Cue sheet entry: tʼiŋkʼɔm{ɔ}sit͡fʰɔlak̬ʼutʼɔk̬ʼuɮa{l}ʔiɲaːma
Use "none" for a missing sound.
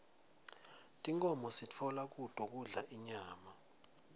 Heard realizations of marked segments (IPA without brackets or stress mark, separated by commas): ɔ, none